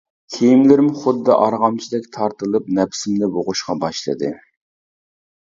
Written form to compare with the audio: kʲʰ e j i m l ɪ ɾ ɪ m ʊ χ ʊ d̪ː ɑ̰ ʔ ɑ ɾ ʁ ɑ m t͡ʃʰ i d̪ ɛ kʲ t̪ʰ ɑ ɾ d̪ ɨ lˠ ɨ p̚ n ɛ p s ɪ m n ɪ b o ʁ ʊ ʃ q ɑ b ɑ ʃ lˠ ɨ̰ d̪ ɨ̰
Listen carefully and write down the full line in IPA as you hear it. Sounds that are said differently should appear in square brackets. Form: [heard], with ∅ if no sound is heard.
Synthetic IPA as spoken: kʲʰ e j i m l ɪ ɾ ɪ m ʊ χ ʊ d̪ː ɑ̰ ʔ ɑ ɾ ʁ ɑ m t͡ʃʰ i d̪ ɛ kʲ t̪ʰ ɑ ɾ [t̪] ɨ lˠ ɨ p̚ n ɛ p s ɪ m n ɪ b o ʁ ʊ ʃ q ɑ b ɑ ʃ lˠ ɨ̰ d̪ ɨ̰